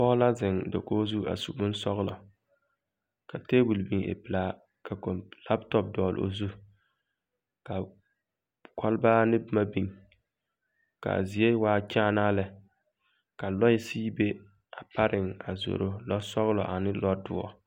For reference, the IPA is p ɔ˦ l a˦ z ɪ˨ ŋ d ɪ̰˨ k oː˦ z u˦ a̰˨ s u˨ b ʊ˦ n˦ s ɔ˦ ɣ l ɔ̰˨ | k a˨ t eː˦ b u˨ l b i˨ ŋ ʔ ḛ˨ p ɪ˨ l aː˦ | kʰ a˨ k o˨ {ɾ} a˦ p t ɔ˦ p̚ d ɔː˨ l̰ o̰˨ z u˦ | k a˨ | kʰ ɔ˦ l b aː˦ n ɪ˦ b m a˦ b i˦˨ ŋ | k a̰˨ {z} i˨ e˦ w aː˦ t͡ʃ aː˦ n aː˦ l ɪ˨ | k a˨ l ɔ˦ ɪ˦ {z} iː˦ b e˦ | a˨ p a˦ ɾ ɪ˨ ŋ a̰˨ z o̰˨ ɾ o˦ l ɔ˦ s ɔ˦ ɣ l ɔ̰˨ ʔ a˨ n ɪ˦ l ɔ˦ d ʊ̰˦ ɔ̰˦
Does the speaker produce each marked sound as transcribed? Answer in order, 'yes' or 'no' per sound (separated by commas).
no, yes, no